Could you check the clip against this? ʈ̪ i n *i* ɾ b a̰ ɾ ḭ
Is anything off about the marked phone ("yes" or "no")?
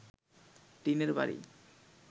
yes